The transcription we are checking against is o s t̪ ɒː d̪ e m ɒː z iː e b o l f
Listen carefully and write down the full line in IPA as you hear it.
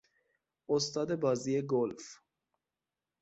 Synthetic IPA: o s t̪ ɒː d̪ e b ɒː z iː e ɡ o l f